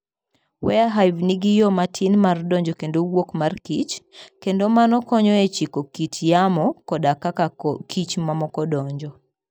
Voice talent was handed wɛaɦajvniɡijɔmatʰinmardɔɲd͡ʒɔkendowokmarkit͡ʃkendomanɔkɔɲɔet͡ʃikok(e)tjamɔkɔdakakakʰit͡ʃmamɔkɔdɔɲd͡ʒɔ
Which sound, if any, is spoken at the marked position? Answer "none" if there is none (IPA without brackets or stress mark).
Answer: i